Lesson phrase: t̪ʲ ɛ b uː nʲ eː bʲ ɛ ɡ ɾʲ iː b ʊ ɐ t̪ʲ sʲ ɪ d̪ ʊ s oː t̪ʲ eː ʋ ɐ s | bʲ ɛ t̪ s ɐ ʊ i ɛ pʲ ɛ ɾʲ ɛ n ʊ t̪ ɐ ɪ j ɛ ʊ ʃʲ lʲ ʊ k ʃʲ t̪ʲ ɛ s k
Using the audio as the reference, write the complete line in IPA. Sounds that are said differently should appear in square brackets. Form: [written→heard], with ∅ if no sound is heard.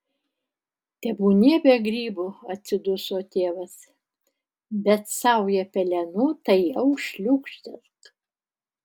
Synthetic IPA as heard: t̪ʲ ɛ b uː nʲ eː bʲ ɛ ɡ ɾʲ iː b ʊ ɐ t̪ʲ sʲ ɪ d̪ ʊ s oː t̪ʲ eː ʋ ɐ s | bʲ ɛ t̪ s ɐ ʊ [i→j] ɛ pʲ ɛ [ɾʲ→lʲ] ɛ n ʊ t̪ ɐ ɪ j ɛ ʊ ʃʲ lʲ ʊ k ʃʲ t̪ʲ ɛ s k